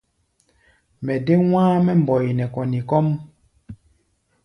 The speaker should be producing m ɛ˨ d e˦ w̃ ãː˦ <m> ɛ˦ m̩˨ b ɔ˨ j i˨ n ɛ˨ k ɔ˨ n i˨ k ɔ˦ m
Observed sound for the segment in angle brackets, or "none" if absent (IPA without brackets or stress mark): m